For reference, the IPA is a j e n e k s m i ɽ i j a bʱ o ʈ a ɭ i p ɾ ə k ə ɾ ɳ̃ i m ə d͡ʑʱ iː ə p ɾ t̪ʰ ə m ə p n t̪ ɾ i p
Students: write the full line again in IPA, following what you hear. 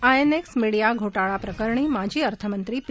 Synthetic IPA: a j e n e k s m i ɽ i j a ɡʱ o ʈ a ɭ a p ɾ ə k ə ɾ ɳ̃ i m a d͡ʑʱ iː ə ɾ t̪ʰ ə m ə n t̪ ɾ i p